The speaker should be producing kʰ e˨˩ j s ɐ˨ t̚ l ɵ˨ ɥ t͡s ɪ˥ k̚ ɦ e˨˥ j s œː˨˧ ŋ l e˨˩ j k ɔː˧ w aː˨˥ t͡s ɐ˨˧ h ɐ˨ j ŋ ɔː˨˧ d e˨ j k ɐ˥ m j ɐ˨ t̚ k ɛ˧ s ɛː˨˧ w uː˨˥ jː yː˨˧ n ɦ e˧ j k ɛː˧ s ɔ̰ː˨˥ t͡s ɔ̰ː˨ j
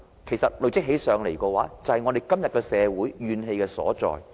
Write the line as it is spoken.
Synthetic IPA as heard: kʰ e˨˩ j s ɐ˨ t̚ l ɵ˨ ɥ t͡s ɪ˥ k̚ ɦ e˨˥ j s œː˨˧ ŋ l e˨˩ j k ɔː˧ w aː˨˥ t͡s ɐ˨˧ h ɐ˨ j ŋ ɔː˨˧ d e˨ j k ɐ˥ m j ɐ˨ t̚ k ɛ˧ s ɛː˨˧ w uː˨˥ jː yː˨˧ n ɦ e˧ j k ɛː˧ s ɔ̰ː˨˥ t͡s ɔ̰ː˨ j